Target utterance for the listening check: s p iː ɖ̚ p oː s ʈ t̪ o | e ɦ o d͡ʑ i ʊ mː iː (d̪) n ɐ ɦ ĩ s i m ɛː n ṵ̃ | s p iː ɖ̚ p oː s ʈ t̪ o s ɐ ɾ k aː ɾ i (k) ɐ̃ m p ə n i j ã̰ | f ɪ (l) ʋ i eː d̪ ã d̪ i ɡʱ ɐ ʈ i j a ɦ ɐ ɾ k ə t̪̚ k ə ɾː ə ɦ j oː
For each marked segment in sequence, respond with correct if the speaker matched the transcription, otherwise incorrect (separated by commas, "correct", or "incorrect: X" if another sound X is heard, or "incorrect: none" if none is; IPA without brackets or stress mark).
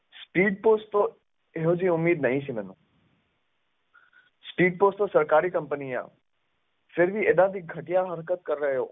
correct, correct, incorrect: ɾ